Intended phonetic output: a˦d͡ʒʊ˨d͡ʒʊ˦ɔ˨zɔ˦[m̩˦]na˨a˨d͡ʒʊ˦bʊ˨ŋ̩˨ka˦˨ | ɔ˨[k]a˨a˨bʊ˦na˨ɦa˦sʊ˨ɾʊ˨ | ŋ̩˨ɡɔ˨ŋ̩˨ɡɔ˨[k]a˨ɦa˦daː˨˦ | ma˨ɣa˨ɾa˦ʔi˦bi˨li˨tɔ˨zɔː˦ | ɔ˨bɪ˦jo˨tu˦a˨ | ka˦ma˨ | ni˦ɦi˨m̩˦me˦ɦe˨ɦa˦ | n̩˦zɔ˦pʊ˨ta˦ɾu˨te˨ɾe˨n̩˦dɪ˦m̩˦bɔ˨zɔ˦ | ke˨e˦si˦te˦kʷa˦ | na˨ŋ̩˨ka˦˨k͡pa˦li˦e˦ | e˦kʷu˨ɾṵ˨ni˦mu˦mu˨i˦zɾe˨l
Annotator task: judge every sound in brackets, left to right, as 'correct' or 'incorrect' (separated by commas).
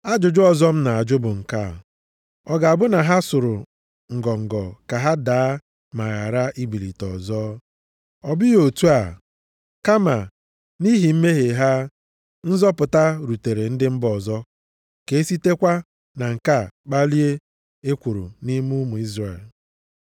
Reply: correct, incorrect, correct